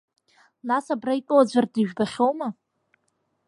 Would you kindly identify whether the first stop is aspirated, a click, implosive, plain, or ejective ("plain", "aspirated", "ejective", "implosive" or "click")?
plain